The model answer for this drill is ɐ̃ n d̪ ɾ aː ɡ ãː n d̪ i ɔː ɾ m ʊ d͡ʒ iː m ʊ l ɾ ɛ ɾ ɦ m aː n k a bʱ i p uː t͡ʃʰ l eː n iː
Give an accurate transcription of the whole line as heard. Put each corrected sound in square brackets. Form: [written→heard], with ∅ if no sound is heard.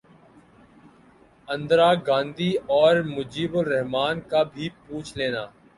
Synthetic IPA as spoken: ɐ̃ n d̪ ɾ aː ɡ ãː n d̪ i ɔː ɾ m ʊ d͡ʒ iː [m→b] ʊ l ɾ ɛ [ɾ→∅] ɦ m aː n k a bʱ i p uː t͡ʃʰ l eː n [iː→aː]